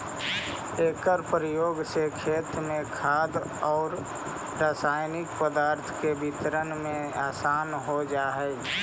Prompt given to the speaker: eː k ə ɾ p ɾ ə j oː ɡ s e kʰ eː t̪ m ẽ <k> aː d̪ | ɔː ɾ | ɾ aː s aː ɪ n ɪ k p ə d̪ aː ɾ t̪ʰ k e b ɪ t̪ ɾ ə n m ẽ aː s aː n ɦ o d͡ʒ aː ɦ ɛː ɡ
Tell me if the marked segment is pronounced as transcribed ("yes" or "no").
no